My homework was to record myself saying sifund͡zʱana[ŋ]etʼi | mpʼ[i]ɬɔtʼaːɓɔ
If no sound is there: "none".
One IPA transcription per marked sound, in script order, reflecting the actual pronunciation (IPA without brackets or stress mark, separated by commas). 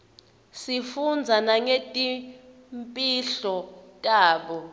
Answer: ŋ, i